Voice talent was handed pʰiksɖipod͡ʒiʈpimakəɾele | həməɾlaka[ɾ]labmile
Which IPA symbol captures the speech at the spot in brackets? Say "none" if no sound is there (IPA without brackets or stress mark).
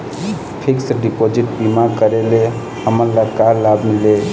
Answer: ɾ